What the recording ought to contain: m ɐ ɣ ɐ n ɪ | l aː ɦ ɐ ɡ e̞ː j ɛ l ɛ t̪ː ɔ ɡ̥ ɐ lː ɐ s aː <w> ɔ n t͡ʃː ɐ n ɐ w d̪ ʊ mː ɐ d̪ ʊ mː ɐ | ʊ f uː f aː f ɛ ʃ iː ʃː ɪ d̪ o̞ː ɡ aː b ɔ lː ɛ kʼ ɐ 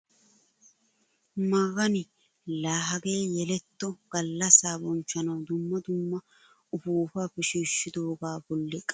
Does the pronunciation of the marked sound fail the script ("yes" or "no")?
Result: yes